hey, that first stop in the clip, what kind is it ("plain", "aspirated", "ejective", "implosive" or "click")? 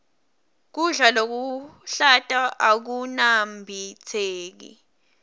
plain